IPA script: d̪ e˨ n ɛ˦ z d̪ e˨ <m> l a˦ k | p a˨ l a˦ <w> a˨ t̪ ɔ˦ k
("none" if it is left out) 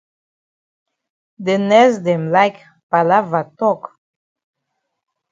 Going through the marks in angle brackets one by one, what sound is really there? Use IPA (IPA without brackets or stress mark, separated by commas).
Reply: m, v